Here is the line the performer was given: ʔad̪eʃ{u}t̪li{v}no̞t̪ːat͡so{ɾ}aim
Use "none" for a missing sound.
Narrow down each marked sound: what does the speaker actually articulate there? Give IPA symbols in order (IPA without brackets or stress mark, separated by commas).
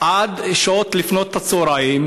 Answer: o, f, ɾ